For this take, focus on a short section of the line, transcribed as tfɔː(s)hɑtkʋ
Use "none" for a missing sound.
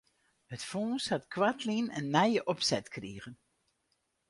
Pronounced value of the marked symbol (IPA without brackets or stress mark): s